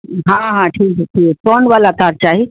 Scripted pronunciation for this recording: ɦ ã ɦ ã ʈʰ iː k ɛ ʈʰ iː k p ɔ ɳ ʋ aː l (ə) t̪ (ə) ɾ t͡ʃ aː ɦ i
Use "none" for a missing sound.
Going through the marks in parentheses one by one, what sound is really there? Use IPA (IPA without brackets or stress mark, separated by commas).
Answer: a, a